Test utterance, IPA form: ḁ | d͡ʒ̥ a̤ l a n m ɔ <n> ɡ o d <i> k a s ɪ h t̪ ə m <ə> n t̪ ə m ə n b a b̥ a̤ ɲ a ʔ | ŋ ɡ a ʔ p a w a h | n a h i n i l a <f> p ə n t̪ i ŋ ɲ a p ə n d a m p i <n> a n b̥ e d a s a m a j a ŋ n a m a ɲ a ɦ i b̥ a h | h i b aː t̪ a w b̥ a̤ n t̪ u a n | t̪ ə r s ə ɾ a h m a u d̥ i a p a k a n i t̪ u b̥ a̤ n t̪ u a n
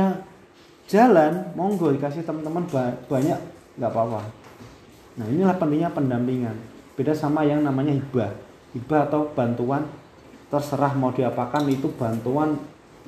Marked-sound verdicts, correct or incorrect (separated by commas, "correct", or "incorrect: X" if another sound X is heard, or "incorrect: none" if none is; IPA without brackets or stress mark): incorrect: ŋ, correct, correct, incorrect: h, incorrect: ŋ